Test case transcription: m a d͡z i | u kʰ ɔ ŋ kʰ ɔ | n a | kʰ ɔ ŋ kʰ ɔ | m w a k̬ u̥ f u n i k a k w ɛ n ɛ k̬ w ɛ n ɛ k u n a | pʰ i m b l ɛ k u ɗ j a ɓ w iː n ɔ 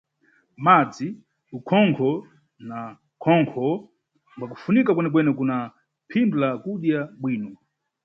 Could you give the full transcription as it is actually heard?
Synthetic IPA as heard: m a d͡z i | u kʰ ɔ ŋ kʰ ɔ | n a | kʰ ɔ ŋ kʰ ɔ | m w a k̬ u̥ f u n i k a k w ɛ n ɛ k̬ w ɛ n ɛ k u n a | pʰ i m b l a k u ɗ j a ɓ w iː n ɔ